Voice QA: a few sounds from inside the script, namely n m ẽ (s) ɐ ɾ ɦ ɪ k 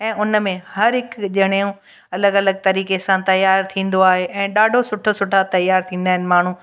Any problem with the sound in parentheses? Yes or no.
yes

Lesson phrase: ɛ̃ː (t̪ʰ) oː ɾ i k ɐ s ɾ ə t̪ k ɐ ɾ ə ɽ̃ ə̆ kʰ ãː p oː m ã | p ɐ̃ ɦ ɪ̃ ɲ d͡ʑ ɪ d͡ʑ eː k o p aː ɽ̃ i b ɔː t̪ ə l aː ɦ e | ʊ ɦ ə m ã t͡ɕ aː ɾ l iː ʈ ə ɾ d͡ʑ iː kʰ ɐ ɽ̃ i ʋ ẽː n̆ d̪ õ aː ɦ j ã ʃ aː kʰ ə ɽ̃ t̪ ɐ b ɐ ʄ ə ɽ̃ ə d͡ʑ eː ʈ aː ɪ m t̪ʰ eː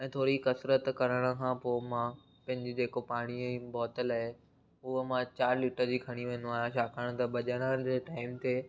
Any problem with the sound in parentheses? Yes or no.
no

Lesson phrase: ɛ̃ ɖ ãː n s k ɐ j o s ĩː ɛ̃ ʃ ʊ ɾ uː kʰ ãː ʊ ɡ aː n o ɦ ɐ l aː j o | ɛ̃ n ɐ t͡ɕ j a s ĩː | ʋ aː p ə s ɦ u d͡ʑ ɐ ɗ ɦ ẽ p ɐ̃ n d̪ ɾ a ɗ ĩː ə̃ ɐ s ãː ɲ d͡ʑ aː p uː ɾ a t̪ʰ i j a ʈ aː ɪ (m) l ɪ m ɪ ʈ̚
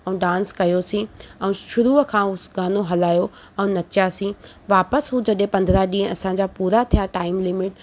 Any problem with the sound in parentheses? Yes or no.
no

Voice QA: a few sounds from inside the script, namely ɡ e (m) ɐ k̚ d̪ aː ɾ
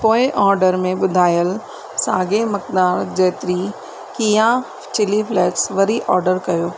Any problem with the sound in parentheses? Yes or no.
no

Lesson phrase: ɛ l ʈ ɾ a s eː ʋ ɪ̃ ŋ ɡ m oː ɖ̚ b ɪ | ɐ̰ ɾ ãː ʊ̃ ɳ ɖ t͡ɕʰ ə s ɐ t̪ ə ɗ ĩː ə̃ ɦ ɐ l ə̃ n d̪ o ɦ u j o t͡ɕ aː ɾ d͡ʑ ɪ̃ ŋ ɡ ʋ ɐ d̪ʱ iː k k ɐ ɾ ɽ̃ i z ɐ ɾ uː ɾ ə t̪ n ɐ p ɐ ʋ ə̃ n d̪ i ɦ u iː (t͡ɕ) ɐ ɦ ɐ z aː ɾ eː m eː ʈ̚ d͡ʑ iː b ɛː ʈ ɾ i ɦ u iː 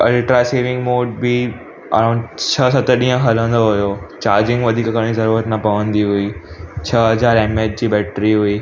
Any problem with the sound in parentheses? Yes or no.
yes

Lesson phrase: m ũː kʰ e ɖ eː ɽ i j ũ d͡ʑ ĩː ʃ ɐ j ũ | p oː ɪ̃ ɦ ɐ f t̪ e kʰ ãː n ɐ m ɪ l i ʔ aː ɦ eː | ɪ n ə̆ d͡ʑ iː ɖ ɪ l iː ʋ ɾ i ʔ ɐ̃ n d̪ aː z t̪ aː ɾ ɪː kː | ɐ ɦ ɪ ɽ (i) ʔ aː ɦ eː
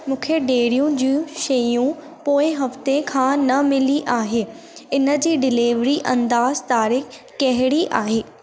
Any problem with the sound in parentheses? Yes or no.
no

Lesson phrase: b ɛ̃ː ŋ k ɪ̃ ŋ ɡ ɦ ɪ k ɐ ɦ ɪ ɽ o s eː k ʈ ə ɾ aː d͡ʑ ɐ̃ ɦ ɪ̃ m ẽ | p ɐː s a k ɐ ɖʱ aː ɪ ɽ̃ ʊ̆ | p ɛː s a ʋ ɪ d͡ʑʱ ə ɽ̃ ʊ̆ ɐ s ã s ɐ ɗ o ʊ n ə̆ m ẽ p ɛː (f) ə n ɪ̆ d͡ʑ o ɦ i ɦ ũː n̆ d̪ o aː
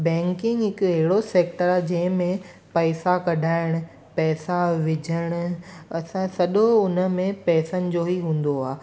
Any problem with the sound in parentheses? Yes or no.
yes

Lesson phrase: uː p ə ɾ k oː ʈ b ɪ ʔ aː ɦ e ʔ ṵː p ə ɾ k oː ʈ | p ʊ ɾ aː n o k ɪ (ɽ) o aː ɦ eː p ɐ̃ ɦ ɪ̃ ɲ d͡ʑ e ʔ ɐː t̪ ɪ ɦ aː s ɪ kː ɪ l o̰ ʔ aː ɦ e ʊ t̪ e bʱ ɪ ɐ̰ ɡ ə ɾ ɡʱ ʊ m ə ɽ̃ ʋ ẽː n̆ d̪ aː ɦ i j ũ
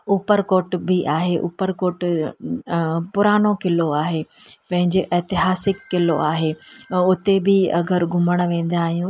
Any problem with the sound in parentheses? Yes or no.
yes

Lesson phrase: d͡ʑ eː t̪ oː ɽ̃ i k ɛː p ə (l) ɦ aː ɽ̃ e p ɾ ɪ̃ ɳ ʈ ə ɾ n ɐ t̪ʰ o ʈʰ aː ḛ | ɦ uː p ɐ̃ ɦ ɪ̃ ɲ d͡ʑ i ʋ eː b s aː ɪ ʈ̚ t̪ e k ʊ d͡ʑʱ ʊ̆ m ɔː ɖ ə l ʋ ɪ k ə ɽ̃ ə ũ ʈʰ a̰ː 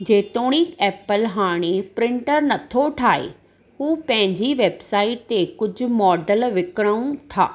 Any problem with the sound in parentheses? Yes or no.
no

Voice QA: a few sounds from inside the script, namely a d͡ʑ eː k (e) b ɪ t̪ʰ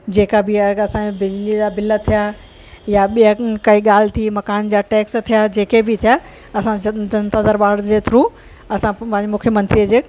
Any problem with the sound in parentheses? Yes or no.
no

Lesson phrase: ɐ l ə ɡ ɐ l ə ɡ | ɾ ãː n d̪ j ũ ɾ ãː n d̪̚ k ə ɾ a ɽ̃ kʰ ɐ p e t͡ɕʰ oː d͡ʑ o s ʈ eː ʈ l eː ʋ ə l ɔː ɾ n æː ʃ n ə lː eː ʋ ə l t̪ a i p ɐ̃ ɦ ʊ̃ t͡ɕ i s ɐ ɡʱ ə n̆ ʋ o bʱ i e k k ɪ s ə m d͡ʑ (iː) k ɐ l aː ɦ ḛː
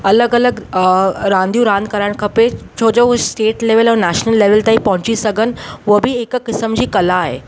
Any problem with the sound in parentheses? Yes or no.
no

